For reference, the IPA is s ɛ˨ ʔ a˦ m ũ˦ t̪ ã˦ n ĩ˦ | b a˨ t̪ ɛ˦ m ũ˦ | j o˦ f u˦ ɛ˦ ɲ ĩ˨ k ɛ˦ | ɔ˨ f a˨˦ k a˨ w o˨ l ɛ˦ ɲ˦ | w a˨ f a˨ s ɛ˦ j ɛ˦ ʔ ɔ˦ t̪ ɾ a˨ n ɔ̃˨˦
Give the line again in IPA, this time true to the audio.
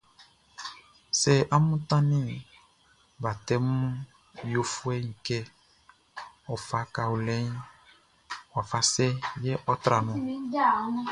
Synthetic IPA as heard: s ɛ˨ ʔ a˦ m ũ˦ t̪ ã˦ n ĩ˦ | b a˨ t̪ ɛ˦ m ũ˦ | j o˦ f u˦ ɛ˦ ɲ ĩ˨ k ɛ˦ | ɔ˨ f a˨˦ k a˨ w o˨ l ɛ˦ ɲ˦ | w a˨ f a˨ s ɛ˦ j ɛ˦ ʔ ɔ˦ t̪ ɾ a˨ n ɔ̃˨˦